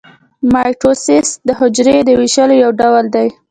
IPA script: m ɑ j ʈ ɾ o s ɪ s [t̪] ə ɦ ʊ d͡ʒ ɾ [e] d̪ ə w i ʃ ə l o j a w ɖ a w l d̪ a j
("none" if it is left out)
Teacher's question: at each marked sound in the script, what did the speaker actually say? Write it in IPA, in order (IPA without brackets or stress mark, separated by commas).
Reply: d̪, e